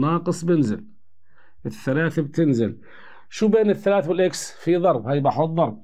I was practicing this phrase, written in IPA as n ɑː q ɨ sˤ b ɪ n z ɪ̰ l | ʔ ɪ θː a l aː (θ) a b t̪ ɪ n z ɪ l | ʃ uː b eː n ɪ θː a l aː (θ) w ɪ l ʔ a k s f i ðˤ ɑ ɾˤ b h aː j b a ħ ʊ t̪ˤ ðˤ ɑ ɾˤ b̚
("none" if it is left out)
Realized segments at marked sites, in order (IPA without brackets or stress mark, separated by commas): θ, θ